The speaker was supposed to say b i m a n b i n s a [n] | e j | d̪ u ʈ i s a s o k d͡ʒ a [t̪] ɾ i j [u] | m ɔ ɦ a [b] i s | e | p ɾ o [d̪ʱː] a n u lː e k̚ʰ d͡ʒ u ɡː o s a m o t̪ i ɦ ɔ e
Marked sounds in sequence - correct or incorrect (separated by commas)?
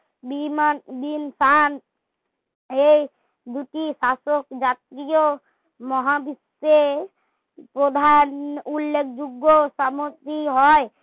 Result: correct, correct, incorrect, correct, incorrect